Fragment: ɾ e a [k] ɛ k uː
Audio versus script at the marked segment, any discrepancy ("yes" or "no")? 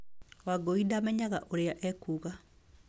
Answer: yes